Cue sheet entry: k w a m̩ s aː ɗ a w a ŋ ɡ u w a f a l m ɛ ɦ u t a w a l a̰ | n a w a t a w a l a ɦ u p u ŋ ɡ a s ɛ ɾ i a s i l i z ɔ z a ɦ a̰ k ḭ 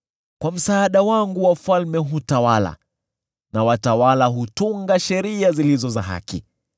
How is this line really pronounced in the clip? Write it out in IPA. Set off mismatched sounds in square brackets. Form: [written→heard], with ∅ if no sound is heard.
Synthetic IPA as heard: k w a m̩ s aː ɗ a w a ŋ ɡ u w a f a l m ɛ ɦ u t a w a l a̰ | n a w a t a w a l a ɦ u [p→t] u ŋ ɡ a [s→ʃ] ɛ ɾ i a [s→z] i l i z ɔ z a ɦ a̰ k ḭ